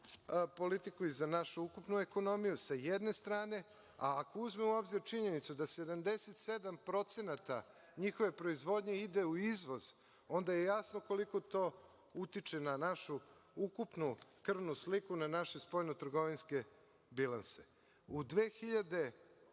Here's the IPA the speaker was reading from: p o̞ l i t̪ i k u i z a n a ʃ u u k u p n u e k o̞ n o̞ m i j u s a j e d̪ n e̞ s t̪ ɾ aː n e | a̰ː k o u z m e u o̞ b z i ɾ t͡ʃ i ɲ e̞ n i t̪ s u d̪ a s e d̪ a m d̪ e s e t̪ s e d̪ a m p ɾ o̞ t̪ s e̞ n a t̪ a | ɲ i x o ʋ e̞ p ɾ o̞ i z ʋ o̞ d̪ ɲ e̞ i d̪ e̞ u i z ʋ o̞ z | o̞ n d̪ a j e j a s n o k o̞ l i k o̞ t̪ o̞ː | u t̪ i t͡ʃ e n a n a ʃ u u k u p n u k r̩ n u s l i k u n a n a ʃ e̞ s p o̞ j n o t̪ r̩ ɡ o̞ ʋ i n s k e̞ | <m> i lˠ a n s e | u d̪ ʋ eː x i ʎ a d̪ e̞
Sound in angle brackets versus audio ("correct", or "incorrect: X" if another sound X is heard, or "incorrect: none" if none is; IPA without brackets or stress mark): incorrect: b